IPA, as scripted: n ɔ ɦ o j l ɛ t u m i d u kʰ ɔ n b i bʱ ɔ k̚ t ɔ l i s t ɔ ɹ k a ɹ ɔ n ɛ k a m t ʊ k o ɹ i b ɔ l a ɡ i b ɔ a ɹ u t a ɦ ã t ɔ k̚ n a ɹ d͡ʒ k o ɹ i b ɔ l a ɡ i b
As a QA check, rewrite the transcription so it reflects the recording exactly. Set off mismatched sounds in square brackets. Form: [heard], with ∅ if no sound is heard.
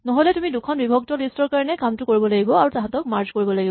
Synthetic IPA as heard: n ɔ ɦ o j l ɛ t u m i d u kʰ ɔ n b i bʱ ɔ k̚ t ɔ l i s t ɔ ɹ k a ɹ ɔ n ɛ k a m t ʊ k o ɹ i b ɔ l a ɡ i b ɔ a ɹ u t a ɦ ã t ɔ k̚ [m] a ɹ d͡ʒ k o ɹ i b ɔ l a ɡ i b